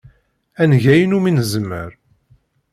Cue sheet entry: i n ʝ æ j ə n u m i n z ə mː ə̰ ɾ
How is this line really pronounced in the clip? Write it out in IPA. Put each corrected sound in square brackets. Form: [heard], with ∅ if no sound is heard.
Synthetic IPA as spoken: [æ] n ʝ æ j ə n u m i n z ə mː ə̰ ɾ